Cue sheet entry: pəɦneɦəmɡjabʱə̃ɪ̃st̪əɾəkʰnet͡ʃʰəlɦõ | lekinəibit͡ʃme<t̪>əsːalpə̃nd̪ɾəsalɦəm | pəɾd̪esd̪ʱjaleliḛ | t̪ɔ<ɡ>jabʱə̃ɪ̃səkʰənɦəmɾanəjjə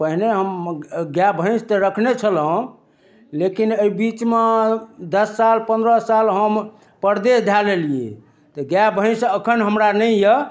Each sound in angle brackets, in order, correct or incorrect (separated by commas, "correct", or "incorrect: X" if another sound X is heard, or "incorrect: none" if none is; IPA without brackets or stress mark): incorrect: d̪, correct